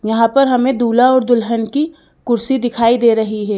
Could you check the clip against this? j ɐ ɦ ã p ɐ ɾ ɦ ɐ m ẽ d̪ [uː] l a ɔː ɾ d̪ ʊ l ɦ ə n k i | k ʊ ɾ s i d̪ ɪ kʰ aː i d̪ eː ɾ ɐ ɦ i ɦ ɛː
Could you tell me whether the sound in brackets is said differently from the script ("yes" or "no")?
no